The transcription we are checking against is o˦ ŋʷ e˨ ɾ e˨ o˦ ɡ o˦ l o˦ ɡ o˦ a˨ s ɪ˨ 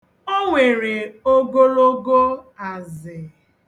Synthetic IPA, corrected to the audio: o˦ ŋʷ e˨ ɾ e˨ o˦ ɡ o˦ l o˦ ɡ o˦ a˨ z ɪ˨